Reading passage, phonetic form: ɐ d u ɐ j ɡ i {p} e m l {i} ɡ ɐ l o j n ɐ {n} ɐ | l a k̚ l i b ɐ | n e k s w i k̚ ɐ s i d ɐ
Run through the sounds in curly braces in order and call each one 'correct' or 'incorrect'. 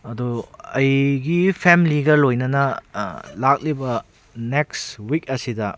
incorrect, correct, correct

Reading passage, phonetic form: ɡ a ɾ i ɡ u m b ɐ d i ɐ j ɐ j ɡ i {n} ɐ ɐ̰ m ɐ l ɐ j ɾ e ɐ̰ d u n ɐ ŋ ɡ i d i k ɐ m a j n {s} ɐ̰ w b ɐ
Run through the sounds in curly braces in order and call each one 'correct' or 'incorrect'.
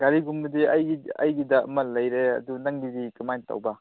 incorrect, incorrect

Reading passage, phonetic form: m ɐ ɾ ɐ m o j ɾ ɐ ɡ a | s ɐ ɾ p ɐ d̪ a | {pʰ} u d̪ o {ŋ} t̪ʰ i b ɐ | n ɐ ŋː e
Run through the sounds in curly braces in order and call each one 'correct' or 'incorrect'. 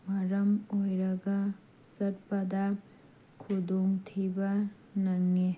incorrect, correct

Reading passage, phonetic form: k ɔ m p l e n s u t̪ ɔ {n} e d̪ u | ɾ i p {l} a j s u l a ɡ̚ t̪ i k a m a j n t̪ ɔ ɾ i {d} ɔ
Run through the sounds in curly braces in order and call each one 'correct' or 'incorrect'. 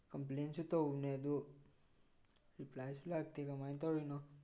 correct, correct, incorrect

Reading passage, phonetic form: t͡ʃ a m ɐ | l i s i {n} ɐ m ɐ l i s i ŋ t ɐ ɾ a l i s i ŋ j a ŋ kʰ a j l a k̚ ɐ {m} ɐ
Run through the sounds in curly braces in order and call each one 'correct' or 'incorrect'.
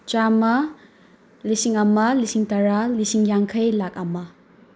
incorrect, correct

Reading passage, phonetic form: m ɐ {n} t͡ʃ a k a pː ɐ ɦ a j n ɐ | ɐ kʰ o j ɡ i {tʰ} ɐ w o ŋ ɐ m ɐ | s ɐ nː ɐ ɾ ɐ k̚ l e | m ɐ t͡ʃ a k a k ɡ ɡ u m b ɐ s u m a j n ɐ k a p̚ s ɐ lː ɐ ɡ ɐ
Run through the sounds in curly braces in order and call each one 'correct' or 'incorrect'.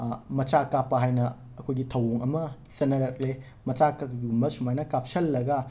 incorrect, correct

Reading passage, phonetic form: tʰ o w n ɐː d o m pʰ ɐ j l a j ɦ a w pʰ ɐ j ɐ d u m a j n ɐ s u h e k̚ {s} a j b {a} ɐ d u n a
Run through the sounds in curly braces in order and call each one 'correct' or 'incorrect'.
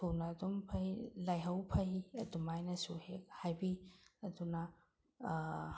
incorrect, incorrect

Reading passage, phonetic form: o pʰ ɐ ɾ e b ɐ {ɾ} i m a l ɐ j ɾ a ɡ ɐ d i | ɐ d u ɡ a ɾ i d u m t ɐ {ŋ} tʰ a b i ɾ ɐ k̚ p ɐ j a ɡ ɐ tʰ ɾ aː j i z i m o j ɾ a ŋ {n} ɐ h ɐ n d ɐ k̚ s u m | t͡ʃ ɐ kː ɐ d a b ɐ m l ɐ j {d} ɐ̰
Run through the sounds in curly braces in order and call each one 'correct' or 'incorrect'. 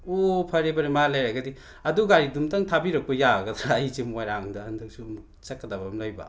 correct, correct, incorrect, incorrect

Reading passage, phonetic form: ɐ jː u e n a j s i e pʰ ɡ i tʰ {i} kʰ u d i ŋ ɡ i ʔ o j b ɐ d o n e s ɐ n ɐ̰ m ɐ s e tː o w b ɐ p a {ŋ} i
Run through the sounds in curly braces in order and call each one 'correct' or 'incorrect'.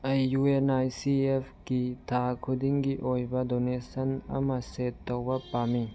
incorrect, incorrect

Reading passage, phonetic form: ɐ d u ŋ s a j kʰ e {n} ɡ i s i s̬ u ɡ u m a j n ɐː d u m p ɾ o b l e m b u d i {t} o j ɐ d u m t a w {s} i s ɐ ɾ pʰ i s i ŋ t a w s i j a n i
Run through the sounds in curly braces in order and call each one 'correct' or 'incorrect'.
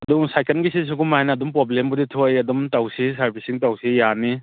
correct, incorrect, correct

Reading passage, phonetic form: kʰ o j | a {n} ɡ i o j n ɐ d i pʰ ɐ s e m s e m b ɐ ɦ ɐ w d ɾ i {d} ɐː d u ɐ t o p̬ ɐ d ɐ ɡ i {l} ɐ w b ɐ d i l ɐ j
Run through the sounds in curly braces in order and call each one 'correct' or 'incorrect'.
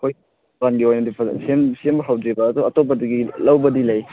correct, incorrect, correct

